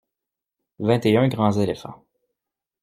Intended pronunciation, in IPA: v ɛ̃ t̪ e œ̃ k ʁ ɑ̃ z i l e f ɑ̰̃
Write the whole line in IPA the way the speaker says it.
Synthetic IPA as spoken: v ɛ̃ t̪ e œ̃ ɡ ʁ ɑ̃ z e l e f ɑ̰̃